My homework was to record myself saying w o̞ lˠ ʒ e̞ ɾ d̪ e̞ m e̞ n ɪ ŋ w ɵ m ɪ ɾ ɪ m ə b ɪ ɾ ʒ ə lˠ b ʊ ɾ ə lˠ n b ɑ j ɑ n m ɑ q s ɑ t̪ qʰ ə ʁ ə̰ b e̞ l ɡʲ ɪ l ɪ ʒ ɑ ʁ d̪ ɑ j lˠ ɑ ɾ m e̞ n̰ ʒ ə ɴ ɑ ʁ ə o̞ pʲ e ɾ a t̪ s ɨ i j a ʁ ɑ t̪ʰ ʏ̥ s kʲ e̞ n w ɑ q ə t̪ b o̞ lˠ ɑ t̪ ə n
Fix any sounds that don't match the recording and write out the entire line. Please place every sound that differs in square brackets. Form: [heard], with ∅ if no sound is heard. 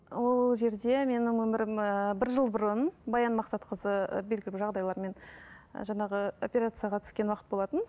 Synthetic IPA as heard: w o̞ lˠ ʒ e̞ ɾ d̪ e̞ m e̞ n ɪ ŋ w ɵ m ɪ ɾ ɪ m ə b ɪ ɾ ʒ ə lˠ b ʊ ɾ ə [∅] n b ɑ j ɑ n m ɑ q s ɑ t̪ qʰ ə [z] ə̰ b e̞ l ɡʲ ɪ l ɪ ʒ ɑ ʁ d̪ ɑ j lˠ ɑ ɾ m e̞ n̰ ʒ [ɑ] ɴ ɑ ʁ ə o̞ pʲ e ɾ a t̪ s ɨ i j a ʁ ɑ t̪ʰ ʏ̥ s kʲ e̞ n w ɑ q ə t̪ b o̞ lˠ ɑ t̪ ə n